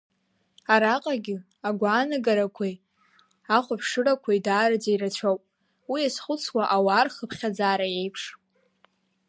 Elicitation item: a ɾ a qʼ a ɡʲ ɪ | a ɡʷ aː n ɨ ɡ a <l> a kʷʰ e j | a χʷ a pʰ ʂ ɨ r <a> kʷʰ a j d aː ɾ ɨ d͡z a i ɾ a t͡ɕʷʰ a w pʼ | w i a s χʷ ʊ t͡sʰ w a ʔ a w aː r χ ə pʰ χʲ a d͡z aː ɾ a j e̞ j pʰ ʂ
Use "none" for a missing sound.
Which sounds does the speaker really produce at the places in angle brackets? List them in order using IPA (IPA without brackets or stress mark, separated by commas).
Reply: ɾ, a